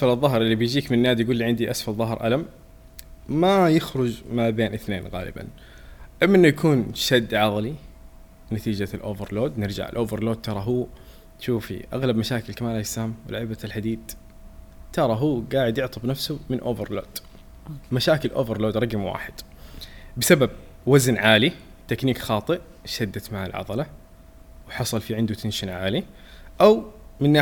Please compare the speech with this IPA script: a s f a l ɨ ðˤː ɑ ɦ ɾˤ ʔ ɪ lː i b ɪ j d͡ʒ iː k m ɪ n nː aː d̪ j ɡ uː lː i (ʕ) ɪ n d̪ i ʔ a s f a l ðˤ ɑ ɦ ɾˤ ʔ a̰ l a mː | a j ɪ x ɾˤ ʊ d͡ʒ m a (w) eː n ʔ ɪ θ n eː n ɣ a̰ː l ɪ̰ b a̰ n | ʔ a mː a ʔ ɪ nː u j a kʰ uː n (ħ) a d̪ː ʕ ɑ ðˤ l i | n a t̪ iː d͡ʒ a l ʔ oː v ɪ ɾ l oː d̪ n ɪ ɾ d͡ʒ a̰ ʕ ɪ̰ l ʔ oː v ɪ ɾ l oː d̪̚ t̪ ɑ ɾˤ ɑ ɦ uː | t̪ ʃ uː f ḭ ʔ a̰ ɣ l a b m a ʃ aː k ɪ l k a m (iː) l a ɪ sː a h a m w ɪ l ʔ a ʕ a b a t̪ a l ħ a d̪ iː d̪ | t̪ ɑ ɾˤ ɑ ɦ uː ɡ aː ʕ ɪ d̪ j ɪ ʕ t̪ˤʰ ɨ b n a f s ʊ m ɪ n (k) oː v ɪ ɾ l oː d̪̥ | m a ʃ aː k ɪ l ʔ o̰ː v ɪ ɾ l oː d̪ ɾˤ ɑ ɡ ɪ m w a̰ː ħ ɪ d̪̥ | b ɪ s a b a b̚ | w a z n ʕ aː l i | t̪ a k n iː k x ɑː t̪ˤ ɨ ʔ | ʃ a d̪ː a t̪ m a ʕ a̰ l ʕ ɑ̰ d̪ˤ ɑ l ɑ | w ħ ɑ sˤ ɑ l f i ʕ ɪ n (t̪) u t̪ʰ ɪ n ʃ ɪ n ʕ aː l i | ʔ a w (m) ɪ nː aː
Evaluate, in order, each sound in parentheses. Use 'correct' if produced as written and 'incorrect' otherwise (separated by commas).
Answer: correct, incorrect, incorrect, incorrect, incorrect, incorrect, correct